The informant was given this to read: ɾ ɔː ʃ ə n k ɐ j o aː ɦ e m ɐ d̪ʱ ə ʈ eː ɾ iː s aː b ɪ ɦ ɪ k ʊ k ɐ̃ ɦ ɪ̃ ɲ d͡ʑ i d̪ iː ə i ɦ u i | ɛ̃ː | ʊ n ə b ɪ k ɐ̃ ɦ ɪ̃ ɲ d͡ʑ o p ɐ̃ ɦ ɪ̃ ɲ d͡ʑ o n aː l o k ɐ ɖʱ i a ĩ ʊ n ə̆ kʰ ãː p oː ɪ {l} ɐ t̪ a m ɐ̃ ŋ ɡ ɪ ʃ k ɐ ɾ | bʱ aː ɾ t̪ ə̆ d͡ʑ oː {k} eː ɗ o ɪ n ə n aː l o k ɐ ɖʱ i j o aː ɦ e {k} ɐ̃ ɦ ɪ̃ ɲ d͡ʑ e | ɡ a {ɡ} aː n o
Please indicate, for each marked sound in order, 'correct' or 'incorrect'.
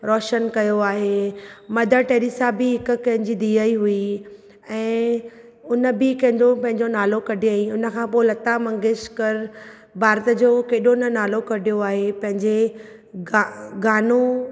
correct, correct, incorrect: p, correct

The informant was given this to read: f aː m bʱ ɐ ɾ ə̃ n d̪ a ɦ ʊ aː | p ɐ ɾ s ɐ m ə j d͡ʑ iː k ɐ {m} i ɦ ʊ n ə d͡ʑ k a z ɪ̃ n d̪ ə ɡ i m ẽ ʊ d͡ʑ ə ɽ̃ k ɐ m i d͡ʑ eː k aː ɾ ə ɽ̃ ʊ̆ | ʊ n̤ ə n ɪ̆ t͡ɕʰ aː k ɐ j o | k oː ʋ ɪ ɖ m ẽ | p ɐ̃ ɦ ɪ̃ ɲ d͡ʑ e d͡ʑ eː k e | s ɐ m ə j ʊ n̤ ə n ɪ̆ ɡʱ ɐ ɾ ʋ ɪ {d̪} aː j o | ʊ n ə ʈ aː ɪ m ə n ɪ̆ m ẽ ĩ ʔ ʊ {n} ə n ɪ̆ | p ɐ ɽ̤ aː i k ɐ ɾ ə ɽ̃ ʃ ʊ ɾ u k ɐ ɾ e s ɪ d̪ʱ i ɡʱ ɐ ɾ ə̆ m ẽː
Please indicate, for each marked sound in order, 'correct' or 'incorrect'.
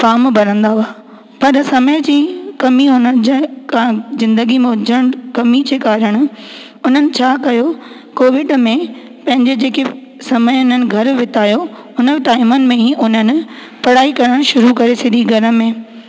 correct, incorrect: t̪, correct

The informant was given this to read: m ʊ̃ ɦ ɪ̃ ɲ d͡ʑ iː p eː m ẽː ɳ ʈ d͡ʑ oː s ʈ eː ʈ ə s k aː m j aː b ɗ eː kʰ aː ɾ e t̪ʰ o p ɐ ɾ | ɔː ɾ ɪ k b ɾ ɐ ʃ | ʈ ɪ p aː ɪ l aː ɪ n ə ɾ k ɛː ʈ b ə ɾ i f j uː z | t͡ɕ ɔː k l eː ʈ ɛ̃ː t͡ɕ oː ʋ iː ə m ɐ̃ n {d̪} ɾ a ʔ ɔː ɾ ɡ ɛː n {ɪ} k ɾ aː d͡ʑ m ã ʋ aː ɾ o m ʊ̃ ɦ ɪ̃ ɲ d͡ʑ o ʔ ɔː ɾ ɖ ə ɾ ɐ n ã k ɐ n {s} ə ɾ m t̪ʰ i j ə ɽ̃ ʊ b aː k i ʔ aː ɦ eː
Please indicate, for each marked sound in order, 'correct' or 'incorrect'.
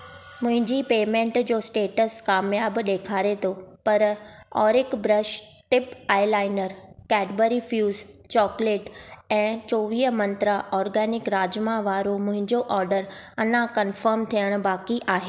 incorrect: t̪, correct, incorrect: f

